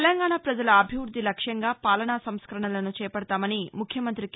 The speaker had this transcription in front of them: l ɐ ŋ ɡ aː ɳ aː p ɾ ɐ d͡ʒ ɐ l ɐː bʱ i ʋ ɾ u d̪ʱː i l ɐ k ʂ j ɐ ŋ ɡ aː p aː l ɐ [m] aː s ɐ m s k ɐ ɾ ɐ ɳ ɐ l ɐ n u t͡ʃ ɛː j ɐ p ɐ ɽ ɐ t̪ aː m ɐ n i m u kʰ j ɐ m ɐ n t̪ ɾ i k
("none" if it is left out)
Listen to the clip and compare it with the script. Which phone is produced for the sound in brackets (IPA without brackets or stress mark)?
ɳ